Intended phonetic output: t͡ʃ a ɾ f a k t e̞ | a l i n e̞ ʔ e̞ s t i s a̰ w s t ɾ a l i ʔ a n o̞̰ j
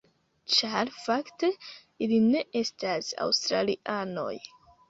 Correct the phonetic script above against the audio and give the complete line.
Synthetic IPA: t͡ʃ a ɾ f a k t e̞ | i l i n e̞ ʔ e̞ s t a s a̰ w s t ɾ a l i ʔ a n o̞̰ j